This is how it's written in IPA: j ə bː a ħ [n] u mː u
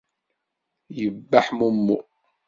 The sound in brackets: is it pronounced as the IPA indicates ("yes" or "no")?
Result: no